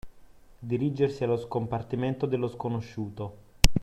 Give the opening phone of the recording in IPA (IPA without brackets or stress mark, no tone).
d̪